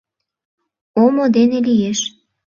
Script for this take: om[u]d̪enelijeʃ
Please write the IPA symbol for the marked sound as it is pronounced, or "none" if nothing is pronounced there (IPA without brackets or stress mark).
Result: o